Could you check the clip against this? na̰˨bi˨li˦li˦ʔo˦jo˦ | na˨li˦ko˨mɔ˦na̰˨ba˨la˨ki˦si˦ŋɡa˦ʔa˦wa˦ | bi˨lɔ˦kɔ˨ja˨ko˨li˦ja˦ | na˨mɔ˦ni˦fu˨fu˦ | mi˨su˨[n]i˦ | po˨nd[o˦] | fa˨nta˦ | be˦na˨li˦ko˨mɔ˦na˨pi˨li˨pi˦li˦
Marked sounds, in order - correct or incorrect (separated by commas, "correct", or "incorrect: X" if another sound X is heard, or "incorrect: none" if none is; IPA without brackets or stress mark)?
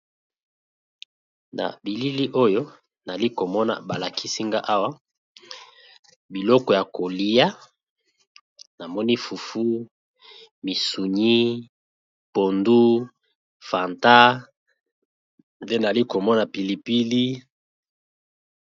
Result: incorrect: ɲ, incorrect: u˦